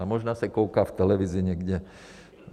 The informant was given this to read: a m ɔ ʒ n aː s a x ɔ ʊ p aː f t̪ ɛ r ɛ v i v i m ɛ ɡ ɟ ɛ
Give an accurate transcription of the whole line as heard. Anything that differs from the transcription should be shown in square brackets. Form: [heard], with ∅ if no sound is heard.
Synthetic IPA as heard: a m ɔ ʒ n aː s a [k] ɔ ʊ [k] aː f t̪ ɛ [l] ɛ [ʋ] i [z] i [ɲ] ɛ ɡ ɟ ɛ